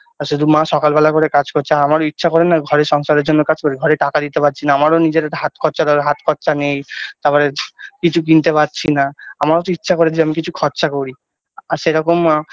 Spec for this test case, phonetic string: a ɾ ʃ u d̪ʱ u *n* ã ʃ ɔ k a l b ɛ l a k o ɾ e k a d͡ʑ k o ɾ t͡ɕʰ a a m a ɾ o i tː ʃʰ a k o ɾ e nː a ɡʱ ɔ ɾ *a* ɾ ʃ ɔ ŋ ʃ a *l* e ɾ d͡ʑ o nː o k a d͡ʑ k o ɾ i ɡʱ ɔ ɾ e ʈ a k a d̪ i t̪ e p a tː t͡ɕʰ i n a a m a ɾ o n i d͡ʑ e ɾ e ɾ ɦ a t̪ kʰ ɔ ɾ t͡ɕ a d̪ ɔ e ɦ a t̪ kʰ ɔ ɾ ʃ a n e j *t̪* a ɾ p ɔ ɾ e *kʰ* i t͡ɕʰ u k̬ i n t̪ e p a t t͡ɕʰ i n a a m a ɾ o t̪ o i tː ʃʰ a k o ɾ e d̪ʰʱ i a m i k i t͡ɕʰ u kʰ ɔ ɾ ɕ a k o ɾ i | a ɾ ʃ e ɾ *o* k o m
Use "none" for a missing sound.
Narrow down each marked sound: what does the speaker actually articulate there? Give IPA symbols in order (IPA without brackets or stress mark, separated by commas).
m, e, ɾ, t̪, k, ɔ